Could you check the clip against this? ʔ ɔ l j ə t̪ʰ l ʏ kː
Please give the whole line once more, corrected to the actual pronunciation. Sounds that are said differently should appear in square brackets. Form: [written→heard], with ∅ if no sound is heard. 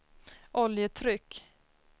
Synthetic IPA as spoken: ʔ ɔ l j ə t̪ʰ [l→ɾ] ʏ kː